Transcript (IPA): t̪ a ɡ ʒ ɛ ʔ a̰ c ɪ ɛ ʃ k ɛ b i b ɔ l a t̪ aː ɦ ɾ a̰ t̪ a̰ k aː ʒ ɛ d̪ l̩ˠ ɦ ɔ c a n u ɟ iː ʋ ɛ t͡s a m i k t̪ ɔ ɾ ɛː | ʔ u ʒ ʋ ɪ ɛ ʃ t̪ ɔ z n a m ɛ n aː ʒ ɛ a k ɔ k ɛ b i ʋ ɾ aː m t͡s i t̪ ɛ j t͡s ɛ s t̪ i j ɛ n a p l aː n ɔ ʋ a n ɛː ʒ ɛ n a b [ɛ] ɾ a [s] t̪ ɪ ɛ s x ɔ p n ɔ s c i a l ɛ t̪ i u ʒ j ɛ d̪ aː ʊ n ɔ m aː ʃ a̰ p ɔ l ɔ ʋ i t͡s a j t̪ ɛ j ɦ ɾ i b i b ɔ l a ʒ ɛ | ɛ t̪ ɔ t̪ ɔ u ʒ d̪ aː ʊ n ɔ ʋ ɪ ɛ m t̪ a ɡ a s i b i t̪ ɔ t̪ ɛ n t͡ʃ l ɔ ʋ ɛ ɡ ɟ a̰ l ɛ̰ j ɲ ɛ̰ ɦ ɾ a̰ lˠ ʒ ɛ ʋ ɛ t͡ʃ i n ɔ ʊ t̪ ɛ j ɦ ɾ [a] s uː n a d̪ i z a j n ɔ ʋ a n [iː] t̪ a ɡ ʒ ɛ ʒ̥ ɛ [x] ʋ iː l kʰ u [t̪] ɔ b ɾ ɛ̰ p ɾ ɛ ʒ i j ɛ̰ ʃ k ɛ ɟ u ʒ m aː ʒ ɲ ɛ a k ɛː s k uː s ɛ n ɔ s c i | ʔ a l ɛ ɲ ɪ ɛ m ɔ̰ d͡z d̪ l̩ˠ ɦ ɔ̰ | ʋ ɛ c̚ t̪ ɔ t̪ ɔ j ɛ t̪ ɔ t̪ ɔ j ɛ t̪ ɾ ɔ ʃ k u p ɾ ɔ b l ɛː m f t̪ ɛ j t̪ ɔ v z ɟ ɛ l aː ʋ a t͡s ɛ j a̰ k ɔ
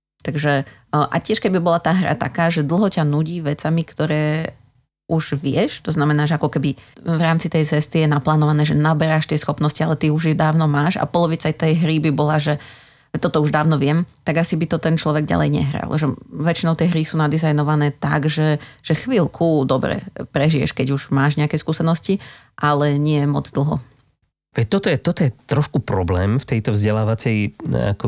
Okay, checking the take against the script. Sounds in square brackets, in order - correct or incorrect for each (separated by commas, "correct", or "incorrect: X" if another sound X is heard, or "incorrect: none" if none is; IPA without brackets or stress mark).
correct, incorrect: ʃ, incorrect: i, incorrect: ɛː, correct, incorrect: d̪